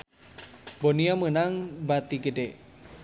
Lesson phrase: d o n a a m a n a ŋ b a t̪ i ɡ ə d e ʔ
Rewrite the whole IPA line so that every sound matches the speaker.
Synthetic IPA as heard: b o n i a m ə n a ŋ b a t̪ i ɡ ə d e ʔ